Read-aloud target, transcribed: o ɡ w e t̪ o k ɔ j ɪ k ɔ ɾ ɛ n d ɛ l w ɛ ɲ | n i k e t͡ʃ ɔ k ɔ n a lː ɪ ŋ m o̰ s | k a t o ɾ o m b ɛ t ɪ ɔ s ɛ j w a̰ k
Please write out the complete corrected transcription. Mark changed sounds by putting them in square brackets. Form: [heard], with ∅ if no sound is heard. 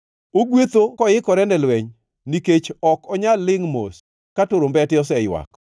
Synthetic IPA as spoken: o ɡ w e t̪ o k ɔ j ɪ k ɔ ɾ ɛ n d ɛ l w ɛ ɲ | n i k e t͡ʃ ɔ k ɔ [ɲ] a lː ɪ ŋ m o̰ s | k a t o ɾ o m b ɛ t ɪ ɔ s ɛ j w a̰ k